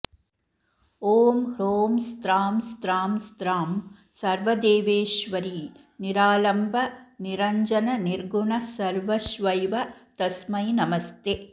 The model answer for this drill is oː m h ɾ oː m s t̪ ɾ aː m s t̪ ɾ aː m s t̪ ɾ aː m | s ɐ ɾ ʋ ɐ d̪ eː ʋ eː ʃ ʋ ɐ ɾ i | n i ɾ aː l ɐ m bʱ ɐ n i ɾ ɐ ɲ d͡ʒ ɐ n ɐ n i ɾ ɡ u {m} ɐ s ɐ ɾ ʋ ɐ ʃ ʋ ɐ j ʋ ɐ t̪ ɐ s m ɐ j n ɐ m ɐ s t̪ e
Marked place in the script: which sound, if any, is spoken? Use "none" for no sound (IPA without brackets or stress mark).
ɳ